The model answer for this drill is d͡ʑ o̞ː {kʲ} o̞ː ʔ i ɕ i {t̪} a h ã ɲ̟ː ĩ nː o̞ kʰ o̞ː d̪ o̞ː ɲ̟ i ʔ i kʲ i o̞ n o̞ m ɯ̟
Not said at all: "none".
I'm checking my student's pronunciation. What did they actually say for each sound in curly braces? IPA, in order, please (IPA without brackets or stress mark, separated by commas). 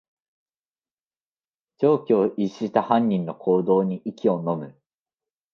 kʲ, t̪